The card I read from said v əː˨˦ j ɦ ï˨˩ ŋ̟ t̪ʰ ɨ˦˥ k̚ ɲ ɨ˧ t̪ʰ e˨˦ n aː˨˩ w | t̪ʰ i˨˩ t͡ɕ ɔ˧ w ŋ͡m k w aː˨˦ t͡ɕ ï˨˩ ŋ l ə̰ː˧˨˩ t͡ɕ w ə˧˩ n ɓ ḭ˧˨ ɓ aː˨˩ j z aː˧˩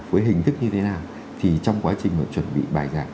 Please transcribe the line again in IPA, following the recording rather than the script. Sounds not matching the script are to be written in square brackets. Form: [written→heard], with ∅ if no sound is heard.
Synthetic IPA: v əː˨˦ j ɦ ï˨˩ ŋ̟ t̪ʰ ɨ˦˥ k̚ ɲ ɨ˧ t̪ʰ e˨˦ n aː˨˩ w | t̪ʰ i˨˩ t͡ɕ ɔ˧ w ŋ͡m k w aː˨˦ t͡ɕ ï˨˩ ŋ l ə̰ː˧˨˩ t͡ɕ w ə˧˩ n ɓ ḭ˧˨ ɓ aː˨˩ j z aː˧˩